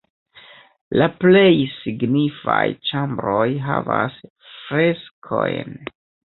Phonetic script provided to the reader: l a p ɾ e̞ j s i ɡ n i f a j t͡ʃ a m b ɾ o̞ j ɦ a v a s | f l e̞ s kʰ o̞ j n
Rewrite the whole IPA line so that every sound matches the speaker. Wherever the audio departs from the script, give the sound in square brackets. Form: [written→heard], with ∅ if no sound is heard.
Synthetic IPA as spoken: l a p [ɾ→l] e̞ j s i ɡ n i f a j t͡ʃ a m b ɾ o̞ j ɦ a v a s | f [l→ɾ] e̞ s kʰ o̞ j n